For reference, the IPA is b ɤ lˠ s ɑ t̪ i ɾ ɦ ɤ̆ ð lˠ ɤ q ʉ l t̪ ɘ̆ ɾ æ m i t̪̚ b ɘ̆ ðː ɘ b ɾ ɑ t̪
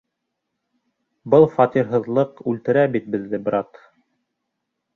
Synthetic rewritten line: b ɤ lˠ f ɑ t̪ i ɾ ɦ ɤ̆ ð lˠ ɤ q ʉ l t̪ ɘ̆ ɾ æ b i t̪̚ b ɘ̆ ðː ɘ b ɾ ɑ t̪